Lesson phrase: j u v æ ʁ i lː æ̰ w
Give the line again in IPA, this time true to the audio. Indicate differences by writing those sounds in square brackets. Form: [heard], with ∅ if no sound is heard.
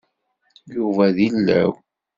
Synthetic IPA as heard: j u v æ [ð] i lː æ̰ w